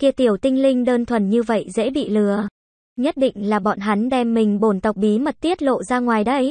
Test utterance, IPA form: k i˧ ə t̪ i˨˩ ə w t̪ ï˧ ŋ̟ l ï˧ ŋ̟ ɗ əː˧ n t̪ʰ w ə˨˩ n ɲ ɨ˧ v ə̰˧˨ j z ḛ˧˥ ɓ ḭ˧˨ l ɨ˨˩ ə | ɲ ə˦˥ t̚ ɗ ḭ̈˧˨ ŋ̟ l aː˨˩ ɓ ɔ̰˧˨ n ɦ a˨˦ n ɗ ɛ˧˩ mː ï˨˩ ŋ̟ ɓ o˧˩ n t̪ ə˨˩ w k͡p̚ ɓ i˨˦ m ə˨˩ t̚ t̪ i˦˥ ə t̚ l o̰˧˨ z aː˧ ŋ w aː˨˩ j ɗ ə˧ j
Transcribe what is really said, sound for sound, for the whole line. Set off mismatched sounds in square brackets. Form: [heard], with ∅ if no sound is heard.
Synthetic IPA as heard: k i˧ ə t̪ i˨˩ ə w t̪ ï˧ ŋ̟ l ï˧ ŋ̟ ɗ əː˧ n t̪ʰ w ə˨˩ n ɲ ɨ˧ v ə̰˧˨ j z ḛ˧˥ ɓ ḭ˧˨ l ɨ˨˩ ə | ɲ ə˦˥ t̚ ɗ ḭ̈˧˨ ŋ̟ l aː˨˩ ɓ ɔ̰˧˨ n ɦ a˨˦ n ɗ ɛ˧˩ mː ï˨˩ ŋ̟ ɓ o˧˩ n t̪ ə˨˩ w k͡p̚ ɓ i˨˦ m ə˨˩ t̚ t̪ i˦˥ ə t̚ l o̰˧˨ z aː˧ ŋ w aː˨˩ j ɗ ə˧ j